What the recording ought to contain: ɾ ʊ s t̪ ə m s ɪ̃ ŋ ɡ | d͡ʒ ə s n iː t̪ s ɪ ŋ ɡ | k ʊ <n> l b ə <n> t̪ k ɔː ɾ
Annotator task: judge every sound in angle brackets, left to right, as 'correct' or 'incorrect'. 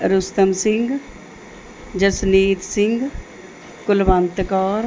incorrect: none, correct

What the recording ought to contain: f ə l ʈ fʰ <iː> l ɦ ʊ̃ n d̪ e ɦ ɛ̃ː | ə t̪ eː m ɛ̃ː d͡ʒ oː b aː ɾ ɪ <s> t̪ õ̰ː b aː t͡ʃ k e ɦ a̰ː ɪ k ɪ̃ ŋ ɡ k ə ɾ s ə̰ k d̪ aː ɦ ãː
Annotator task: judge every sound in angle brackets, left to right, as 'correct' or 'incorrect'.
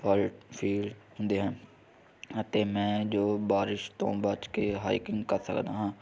correct, incorrect: ʃ

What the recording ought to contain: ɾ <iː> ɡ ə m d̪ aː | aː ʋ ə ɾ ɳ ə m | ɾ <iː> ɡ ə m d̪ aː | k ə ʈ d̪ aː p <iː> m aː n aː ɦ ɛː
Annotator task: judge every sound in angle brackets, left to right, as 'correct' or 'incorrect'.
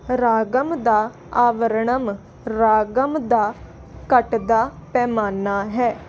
incorrect: aː, incorrect: aː, incorrect: ɛː

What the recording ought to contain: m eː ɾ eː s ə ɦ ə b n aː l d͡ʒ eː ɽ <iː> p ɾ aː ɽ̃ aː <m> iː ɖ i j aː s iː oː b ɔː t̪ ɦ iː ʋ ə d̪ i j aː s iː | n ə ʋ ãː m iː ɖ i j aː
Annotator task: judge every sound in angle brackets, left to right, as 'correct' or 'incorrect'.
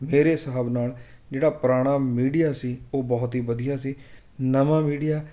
incorrect: aː, correct

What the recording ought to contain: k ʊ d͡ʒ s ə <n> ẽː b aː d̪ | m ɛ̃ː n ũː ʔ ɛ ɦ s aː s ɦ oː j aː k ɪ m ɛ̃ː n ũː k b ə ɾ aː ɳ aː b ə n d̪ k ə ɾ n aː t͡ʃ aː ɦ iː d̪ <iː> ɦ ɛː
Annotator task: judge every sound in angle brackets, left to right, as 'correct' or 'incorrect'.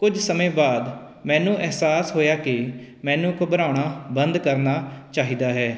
incorrect: m, incorrect: aː

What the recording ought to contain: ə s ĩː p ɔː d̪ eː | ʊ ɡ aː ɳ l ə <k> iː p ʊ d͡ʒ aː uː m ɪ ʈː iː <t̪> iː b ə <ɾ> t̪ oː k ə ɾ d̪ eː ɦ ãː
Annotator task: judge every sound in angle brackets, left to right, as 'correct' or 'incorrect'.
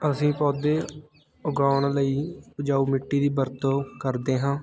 incorrect: none, incorrect: d̪, correct

